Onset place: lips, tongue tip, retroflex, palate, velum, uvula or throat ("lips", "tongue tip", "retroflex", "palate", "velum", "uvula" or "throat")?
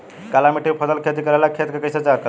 velum